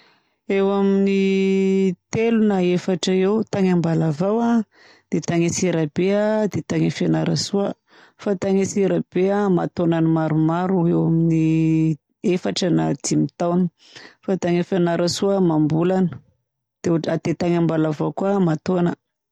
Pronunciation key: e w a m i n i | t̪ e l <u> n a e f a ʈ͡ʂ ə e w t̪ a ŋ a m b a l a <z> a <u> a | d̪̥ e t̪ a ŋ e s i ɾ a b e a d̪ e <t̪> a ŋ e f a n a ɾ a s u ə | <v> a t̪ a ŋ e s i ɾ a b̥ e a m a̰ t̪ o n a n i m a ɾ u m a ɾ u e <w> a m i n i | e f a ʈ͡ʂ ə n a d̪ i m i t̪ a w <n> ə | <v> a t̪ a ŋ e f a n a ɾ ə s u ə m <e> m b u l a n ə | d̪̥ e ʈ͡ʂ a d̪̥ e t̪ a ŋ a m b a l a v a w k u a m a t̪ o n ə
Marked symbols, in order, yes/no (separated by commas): yes, no, no, yes, no, yes, yes, no, no